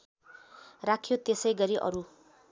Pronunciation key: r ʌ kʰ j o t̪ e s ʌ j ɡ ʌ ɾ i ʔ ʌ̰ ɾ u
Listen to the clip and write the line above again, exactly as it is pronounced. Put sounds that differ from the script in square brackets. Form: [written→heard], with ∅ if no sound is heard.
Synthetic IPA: r [ʌ→a] kʰ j o t̪ e s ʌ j ɡ ʌ ɾ i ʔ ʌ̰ ɾ u